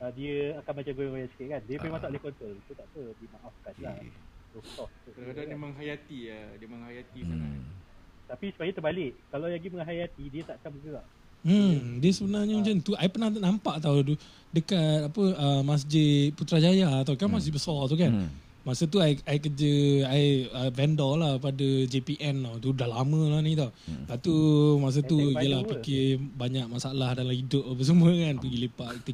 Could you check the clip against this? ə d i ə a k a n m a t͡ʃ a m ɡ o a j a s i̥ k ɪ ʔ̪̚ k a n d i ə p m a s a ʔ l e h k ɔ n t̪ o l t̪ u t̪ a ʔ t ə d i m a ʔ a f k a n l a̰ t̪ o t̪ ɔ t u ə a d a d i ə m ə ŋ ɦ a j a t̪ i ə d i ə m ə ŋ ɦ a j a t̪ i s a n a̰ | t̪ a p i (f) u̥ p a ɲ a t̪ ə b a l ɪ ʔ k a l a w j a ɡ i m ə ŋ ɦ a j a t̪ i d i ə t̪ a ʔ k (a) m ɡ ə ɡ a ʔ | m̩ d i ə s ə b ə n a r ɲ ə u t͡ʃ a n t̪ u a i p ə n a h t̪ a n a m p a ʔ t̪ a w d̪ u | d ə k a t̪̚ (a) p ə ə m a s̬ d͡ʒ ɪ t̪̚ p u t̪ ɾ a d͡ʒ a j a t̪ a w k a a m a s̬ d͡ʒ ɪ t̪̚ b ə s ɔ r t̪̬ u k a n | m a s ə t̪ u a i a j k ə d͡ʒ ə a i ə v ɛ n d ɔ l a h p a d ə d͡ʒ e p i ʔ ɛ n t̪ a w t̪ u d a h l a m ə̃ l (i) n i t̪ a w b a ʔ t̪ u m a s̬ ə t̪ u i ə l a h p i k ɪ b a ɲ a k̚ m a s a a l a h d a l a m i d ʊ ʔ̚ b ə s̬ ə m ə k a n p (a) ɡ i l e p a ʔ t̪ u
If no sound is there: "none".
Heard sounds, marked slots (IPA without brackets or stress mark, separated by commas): s, a, a, a, ə